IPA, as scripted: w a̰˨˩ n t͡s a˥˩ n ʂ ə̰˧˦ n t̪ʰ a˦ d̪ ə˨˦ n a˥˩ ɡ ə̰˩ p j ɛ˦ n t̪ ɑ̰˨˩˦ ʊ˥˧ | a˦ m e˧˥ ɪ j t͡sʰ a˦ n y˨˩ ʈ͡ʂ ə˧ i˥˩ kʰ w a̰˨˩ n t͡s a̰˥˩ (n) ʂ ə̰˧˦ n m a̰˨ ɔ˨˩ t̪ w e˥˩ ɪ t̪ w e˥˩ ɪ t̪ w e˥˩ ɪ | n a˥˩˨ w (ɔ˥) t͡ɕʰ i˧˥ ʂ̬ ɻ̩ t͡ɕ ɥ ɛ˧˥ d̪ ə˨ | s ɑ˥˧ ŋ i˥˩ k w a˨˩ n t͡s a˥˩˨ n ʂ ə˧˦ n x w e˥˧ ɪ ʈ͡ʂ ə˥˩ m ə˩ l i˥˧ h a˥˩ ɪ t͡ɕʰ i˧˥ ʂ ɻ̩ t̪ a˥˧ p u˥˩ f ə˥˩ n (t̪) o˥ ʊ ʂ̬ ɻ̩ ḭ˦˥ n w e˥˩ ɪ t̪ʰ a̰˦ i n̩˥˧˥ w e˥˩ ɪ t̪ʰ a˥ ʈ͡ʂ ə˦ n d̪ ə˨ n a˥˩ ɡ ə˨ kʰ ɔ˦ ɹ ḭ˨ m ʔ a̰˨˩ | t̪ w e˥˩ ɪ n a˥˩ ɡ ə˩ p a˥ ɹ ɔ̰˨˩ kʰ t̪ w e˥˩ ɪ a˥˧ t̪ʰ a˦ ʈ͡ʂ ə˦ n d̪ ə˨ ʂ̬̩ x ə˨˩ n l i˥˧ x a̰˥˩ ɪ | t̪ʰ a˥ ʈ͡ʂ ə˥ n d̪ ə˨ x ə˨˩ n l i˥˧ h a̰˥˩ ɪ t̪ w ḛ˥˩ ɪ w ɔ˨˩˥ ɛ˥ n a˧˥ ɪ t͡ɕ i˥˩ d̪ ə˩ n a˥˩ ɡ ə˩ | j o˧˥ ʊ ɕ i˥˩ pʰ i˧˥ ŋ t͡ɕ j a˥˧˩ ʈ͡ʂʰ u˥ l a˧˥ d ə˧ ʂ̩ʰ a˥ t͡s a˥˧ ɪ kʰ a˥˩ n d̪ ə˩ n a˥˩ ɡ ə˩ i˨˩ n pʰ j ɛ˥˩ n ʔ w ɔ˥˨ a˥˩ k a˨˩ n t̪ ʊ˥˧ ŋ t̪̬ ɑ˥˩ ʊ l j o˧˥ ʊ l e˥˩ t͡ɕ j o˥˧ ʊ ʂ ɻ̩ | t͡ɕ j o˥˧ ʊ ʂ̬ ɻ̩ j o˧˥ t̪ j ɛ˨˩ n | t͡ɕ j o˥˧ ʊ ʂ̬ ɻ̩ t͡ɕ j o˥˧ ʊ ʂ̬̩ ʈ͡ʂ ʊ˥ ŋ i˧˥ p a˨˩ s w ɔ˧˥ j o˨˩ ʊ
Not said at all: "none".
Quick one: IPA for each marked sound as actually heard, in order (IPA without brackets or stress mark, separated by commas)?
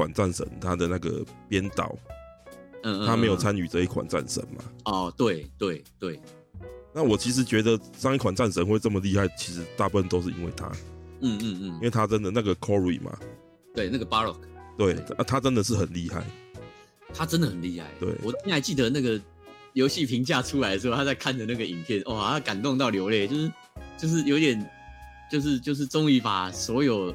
n, ɔ˨˩, t̪